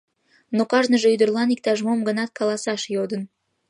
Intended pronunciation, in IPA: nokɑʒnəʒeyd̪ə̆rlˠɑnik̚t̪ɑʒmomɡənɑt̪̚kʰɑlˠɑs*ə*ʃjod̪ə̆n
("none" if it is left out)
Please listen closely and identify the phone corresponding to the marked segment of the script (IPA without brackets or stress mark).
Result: ɑ